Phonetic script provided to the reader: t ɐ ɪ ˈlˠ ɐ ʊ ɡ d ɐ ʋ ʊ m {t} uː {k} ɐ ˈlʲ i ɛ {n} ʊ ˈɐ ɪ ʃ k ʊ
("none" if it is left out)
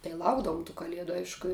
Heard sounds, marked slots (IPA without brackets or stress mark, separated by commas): t, k, d